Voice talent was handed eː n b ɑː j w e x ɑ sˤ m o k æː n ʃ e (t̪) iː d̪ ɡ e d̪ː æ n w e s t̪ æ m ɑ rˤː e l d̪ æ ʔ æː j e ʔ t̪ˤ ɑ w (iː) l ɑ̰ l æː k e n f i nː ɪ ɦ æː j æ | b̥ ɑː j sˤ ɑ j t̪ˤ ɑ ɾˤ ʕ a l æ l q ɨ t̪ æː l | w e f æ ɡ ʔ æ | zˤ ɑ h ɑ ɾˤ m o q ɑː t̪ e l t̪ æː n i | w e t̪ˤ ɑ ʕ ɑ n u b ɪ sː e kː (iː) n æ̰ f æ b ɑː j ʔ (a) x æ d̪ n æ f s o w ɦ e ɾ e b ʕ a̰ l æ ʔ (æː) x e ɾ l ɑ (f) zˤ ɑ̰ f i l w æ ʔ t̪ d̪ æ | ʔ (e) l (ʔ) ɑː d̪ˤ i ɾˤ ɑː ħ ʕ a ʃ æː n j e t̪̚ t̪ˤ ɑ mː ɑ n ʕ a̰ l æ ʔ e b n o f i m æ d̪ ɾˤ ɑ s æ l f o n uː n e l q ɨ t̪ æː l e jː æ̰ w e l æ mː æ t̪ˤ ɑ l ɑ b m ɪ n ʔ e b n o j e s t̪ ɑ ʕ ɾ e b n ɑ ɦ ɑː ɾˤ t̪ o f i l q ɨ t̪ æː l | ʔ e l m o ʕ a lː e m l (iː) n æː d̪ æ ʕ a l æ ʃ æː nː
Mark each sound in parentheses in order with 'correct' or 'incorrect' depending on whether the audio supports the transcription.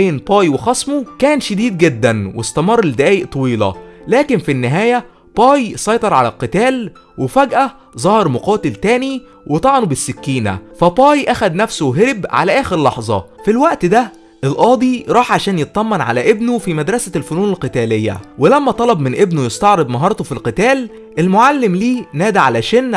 incorrect: d̪, correct, correct, incorrect: æ, correct, incorrect: ħ, correct, correct, correct

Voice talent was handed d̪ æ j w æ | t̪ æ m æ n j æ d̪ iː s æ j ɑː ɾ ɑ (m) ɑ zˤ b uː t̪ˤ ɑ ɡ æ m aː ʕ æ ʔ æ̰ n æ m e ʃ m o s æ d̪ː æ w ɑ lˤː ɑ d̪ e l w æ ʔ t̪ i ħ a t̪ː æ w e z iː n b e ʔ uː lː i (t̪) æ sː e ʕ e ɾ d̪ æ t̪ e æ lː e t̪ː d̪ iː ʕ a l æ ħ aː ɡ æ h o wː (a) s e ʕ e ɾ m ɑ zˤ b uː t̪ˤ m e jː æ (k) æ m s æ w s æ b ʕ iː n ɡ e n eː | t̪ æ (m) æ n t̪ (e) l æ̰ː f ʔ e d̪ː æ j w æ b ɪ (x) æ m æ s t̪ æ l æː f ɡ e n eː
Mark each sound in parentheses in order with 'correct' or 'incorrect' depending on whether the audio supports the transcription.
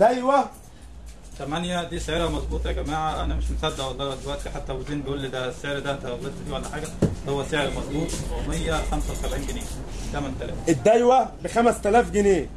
correct, incorrect: d̪, incorrect: æ, incorrect: x, correct, incorrect: æ, correct

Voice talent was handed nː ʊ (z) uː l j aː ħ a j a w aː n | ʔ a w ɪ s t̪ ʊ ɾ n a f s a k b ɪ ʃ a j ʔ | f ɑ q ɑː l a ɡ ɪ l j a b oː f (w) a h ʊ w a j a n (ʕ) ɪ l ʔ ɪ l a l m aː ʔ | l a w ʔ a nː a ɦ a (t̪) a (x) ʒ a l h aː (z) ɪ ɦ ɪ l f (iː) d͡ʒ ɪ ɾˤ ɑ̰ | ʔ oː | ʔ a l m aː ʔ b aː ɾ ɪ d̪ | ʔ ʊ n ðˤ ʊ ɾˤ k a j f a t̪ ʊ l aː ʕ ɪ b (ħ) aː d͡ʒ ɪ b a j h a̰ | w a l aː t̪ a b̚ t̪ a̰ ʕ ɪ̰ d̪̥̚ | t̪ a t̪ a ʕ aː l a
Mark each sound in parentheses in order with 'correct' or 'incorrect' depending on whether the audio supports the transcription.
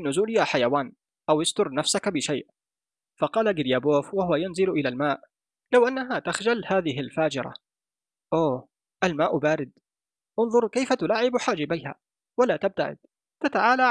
correct, correct, incorrect: z, correct, correct, incorrect: ð, incorrect: aː, correct

